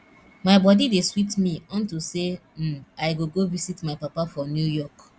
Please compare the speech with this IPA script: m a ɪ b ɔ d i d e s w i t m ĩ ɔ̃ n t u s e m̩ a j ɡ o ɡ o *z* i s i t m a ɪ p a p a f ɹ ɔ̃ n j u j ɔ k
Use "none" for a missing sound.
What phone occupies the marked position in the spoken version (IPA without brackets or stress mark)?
v